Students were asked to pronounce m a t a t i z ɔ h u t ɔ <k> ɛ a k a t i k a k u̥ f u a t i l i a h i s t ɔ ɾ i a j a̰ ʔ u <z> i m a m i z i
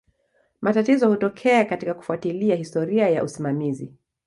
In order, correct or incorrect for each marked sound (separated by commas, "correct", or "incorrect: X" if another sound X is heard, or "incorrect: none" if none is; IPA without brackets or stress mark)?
incorrect: kʰ, incorrect: s